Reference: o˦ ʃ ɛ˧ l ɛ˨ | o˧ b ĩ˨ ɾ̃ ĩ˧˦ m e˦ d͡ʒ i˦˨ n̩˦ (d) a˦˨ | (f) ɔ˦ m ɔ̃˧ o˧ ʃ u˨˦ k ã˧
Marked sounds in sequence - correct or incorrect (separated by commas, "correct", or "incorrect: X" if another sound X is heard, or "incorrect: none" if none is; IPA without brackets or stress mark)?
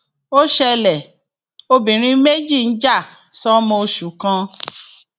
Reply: incorrect: d͡ʒ, incorrect: s